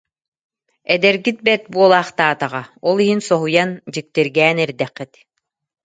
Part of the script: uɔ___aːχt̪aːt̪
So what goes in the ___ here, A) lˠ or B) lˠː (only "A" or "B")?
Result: A